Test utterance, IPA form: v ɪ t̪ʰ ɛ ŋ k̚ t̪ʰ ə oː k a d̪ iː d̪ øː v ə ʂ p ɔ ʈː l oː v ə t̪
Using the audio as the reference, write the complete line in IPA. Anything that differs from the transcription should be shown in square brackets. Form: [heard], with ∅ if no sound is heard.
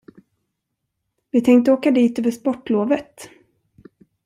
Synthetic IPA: v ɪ t̪ʰ ɛ ŋ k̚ [t̪] ə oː k a d̪ iː [t̪] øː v ə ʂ p ɔ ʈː l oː v ə t̪